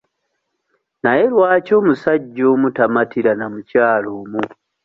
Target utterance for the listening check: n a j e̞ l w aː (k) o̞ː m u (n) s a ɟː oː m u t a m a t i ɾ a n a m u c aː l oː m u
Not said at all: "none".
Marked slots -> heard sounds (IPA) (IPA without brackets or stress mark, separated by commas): c, none